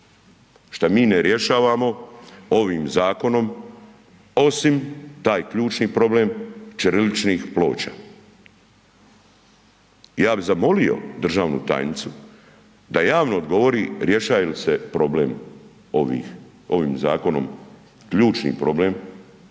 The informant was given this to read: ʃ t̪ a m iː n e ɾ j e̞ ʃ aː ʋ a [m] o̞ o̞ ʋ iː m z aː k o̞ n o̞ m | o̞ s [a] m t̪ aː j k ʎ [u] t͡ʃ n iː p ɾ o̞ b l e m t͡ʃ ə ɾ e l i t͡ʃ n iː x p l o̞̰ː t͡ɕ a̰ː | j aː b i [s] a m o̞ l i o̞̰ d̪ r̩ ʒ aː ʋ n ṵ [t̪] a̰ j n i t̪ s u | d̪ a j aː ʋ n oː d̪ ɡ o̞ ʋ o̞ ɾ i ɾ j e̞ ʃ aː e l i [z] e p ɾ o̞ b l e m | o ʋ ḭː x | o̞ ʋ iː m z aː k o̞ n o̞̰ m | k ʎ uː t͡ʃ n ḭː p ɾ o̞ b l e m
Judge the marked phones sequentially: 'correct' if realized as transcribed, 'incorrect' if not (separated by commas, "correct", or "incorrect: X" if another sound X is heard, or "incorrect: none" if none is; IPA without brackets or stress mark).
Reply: correct, incorrect: i, incorrect: uː, incorrect: z, correct, incorrect: s